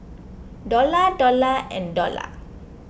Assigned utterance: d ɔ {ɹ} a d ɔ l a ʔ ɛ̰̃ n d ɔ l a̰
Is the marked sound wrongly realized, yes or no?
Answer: yes